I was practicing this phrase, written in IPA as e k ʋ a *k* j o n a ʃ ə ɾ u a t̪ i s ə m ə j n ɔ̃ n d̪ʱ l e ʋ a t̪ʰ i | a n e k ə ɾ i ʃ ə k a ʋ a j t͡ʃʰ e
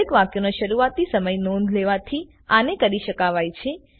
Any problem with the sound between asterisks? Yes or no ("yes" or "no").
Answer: no